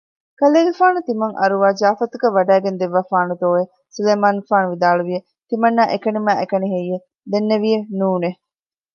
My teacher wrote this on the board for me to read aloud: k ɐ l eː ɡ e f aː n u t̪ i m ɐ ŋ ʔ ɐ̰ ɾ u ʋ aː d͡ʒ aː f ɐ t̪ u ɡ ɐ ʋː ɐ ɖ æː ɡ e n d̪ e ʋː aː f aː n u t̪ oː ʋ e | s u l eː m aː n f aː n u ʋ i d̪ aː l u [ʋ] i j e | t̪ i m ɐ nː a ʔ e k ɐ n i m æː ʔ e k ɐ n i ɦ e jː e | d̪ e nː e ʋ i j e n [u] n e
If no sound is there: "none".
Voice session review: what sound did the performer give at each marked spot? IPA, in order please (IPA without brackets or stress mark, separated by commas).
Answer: ʋ, uː